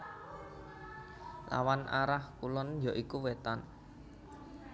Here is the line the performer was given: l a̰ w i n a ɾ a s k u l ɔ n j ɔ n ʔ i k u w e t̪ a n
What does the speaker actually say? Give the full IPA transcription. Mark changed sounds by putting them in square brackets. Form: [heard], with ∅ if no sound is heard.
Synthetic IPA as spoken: l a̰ w [a] n a ɾ a [h] k u l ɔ n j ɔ [∅] ʔ i k u w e t̪ a n

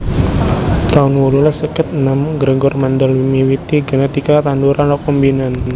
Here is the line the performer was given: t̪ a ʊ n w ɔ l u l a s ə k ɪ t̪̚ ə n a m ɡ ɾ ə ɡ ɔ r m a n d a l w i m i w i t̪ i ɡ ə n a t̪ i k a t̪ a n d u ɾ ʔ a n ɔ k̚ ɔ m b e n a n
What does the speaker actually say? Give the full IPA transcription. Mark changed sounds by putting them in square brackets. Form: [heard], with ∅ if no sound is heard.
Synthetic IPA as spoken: t̪ a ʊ n w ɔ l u l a s ə k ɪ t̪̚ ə n a m ɡ ɾ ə ɡ ɔ r m a n d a l w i m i w i t̪ i ɡ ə n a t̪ i k a t̪ a n d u ɾ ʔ a n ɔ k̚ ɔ m b [i] n a n

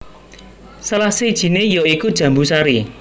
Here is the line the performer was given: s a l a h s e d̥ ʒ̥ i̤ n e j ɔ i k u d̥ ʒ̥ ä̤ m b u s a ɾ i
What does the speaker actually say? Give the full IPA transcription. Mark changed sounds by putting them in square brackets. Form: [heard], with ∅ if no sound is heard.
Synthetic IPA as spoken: s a l a h s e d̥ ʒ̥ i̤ n e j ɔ i k u d̥ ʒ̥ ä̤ m b u s a ɾ i

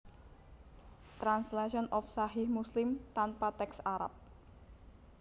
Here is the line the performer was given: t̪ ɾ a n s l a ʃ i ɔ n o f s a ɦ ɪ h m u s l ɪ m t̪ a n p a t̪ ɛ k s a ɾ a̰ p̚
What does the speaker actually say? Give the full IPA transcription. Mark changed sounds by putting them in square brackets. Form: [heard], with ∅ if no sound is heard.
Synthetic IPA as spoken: t̪ ɾ a n s l a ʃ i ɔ n [ɔ] f s a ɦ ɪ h m u s l ɪ m t̪ a n p a t̪ ɛ k s a ɾ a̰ p̚

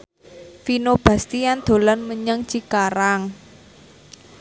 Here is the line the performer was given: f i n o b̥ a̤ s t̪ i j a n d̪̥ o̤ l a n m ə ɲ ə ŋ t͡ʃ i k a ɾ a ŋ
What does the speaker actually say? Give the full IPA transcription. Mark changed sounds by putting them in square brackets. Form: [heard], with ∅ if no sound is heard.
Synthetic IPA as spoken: f i n o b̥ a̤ s t̪ i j a n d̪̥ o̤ l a n m ə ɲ ə ŋ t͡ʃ i k a ɾ a ŋ

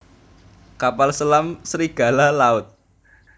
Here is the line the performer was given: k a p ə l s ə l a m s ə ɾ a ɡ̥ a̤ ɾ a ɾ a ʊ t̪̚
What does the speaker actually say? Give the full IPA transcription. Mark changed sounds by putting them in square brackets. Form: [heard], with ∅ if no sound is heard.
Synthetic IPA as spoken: k a p [a] l s ə l a m s ə ɾ [i] ɡ̥ a̤ [l] a [l] a ʊ t̪̚

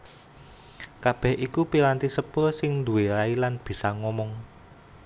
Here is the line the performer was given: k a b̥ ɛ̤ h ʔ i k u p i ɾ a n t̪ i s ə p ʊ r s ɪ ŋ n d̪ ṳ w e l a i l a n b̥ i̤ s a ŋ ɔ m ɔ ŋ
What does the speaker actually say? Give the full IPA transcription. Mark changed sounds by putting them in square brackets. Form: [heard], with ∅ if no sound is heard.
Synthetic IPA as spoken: k a b̥ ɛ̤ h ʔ i k u p i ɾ a n t̪ i s ə p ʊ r s ɪ ŋ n d̪ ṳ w e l a i l a n b̥ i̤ s a ŋ ɔ m ɔ ŋ

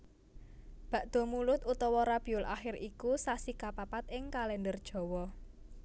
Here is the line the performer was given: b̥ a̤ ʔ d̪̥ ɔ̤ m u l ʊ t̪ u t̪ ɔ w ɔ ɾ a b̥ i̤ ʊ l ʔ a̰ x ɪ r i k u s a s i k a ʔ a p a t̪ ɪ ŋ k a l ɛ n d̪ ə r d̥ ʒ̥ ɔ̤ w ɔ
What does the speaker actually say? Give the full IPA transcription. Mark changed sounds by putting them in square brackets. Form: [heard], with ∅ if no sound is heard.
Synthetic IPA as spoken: b̥ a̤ ʔ d̪̥ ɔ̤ m u l ʊ t̪ u t̪ ɔ w ɔ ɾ a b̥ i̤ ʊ l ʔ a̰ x ɪ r i k u s a s i k a [p] a p a t̪ ɪ ŋ k a l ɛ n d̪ ə r d̥ ʒ̥ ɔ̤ w ɔ

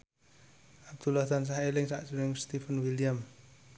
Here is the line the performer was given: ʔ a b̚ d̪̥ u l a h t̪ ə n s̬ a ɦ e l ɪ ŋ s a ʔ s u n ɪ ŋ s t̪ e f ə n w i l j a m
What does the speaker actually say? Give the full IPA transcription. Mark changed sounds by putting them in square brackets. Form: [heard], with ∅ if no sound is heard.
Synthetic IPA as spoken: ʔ a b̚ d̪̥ u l a h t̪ [a] n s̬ a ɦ e l ɪ ŋ s a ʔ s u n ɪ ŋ s t̪ [i] f ə n w i l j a m

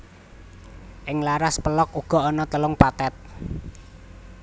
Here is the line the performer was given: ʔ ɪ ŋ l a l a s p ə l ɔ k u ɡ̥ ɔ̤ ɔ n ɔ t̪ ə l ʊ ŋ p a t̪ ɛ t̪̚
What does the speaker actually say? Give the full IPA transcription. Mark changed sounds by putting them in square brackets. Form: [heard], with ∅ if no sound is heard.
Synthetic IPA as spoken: ʔ ɪ ŋ l a [ɾ] a s p ə l ɔ k u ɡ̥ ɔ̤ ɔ n ɔ t̪ ə l ʊ ŋ p a t̪ ɛ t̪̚

